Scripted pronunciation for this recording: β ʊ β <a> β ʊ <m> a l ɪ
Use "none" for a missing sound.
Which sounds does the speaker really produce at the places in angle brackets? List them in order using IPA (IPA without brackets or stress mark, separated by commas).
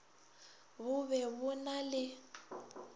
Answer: ɛ, n